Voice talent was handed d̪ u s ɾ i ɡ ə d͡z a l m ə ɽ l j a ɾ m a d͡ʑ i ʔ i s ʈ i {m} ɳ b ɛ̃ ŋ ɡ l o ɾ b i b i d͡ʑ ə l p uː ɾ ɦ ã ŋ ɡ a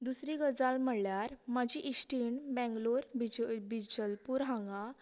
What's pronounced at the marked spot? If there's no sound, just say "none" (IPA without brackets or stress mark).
none